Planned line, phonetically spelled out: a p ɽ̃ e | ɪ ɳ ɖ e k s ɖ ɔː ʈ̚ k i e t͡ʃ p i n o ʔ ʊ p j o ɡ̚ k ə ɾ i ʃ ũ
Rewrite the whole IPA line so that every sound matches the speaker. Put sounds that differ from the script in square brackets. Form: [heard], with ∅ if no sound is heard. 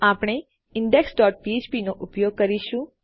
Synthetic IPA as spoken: a p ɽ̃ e | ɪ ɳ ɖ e k s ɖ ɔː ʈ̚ [p] i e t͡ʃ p i n o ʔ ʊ p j o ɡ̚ k ə ɾ i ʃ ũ